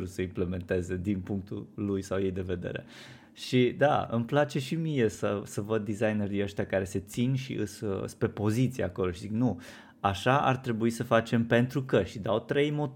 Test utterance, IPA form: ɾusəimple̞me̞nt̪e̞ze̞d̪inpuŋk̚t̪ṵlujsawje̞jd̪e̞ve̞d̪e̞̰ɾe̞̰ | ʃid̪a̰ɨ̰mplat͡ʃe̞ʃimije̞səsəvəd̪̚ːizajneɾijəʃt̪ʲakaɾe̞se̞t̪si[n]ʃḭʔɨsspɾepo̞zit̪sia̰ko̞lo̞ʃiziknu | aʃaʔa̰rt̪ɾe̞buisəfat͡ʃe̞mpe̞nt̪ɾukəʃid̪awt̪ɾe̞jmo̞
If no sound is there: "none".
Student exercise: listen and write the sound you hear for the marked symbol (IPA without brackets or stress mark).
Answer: n